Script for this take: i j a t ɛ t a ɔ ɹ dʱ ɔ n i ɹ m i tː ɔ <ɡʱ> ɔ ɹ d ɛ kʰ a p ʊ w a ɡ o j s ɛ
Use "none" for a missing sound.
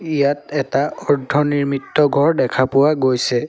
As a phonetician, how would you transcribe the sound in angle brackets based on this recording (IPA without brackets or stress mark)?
ɡʱ